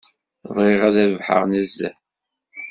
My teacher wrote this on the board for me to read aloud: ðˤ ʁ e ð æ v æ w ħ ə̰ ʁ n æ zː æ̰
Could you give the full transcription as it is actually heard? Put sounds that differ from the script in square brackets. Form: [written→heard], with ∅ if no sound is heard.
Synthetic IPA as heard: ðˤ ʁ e [ð→ʁ] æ [v→ð] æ [w→v] ħ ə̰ ʁ n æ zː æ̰